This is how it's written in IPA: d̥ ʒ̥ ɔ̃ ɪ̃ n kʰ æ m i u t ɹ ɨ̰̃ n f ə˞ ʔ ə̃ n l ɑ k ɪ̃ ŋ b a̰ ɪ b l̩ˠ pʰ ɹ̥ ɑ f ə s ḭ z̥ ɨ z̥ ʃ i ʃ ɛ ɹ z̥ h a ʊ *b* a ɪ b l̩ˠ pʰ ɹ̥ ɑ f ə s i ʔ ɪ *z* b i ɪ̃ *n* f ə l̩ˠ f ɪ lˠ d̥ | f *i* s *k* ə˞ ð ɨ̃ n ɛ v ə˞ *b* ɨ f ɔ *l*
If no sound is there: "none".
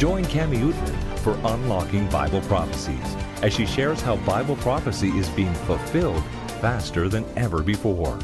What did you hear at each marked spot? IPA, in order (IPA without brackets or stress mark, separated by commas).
b, z, ŋ, æ, t, b, ɹ